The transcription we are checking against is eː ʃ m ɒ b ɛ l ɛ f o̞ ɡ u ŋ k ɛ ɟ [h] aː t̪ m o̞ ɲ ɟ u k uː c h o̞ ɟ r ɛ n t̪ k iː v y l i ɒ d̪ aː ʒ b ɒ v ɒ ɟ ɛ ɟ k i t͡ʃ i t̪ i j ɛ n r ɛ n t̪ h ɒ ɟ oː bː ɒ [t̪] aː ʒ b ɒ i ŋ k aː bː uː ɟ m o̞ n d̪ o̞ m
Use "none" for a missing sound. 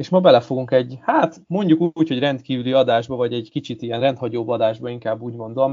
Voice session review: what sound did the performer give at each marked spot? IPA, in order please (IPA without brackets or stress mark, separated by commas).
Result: h, d̪